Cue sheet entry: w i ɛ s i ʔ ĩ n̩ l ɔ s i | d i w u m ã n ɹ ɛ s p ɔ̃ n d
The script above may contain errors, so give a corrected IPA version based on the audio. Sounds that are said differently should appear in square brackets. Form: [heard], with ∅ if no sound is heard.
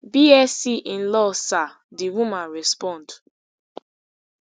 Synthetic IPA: [b] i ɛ s i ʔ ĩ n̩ l ɔ s [a] | d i w u m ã n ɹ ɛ s p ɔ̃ n d